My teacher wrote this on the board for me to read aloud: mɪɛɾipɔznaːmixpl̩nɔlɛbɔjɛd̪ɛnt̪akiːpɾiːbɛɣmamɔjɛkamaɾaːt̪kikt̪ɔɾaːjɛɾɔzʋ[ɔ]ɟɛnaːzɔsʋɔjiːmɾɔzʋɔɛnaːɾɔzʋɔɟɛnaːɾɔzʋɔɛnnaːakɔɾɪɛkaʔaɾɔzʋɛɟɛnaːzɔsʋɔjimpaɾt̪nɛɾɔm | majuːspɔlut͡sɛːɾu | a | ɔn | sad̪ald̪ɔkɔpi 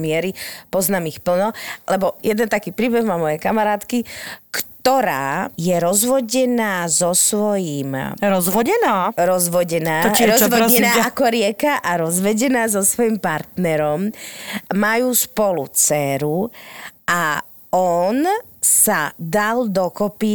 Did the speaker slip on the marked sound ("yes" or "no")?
no